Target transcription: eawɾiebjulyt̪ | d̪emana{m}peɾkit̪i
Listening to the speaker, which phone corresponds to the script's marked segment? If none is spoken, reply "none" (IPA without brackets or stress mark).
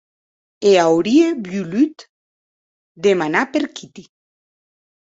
none